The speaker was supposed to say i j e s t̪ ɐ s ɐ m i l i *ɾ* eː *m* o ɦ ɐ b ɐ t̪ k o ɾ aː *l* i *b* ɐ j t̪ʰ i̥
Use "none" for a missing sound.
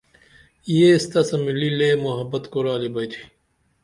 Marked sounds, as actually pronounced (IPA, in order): l, m, l, b

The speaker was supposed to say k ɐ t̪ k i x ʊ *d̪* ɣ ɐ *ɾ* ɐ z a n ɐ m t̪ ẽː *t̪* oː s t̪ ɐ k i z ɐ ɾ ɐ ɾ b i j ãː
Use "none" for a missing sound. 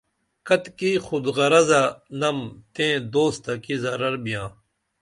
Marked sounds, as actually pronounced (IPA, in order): d̪, ɾ, d̪

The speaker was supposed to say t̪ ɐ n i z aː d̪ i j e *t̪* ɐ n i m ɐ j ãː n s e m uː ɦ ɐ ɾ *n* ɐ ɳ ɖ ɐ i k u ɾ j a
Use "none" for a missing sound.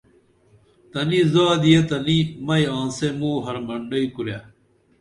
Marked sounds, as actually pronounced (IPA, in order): t̪, m

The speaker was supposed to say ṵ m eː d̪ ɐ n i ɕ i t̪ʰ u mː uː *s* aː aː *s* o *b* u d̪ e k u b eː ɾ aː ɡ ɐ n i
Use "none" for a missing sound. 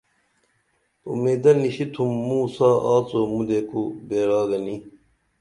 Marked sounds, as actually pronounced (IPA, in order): s, t͡s, m

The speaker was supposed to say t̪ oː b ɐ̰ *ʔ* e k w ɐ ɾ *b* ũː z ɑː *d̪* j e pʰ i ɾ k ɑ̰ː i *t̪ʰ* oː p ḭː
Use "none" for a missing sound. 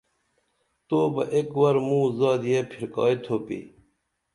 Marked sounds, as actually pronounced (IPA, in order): ʔ, m, d̪, t̪ʰ

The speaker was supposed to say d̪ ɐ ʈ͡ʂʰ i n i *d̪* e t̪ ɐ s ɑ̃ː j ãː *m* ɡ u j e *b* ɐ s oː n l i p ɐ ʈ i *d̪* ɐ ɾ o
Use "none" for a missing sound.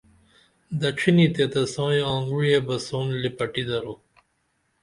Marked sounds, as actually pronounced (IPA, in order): t̪, ŋ, b, d̪

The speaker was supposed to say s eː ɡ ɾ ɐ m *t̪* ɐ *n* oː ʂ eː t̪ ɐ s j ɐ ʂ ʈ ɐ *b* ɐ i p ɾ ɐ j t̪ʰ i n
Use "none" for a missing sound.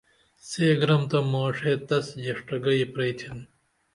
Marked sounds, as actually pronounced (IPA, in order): t̪, m, ɡ

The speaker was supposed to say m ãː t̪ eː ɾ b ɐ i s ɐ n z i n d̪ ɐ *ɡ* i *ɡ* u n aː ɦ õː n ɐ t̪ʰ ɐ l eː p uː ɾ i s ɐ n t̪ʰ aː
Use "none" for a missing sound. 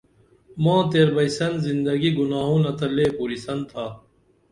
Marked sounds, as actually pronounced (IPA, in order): ɡ, ɡ

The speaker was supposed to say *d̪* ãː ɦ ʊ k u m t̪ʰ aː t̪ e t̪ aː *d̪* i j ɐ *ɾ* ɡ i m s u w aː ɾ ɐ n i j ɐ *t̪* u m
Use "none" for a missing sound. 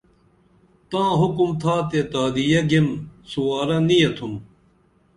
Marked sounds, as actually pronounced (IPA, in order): t̪, d̪, none, t̪ʰ

